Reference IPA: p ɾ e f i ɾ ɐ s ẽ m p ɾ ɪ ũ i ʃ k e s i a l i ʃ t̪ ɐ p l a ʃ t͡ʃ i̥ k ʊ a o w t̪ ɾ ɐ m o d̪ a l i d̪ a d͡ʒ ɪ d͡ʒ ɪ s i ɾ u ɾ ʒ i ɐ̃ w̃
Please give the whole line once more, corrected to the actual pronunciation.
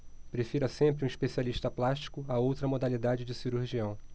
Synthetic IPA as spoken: p ɾ e f i ɾ ɐ s ẽ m p ɾ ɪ ũ i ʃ p e s i a l i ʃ t̪ ɐ p l a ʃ t͡ʃ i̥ k ʊ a o w t̪ ɾ ɐ m o d̪ a l i d̪ a d͡ʒ ɪ d͡ʒ ɪ s i ɾ u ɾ ʒ i ɐ̃ w̃